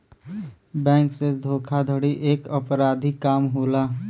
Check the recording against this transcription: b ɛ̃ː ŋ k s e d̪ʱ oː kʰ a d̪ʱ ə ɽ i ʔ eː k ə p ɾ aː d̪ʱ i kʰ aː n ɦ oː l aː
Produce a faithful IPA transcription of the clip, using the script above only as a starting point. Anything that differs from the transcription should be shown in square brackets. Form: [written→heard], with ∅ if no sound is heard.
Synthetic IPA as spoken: b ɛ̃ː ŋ k s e d̪ʱ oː kʰ a d̪ʱ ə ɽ i ʔ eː k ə p ɾ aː d̪ʱ i [kʰ→k] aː [n→m] ɦ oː l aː